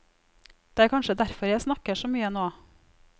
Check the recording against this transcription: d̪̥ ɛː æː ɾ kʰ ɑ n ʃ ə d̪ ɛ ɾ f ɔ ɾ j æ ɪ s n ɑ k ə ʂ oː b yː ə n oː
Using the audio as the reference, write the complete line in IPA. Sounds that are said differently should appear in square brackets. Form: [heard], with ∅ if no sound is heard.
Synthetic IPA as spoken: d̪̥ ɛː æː ɾ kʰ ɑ n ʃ ə d̪ [æ] ɾ f ɔ ɾ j æ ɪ s n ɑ k ə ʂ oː [m] yː ə n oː